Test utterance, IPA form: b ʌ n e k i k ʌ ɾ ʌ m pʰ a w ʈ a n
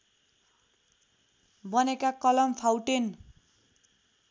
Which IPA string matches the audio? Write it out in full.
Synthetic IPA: b ʌ n e k a k ʌ l ʌ m pʰ a w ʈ e n